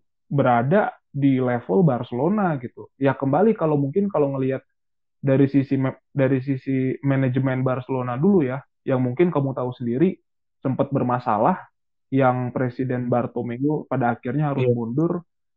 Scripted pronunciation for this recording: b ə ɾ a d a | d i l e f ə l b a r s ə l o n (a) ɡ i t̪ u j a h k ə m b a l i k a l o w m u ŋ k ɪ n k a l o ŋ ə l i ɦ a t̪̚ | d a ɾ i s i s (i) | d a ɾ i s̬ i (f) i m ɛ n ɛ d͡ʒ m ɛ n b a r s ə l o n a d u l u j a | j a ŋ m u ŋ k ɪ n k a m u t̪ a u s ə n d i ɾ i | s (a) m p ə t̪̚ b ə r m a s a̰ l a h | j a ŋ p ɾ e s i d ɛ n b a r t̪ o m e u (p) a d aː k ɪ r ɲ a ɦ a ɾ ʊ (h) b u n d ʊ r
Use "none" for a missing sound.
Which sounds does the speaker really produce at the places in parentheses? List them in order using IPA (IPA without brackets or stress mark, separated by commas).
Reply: a, i, s, ə, p, s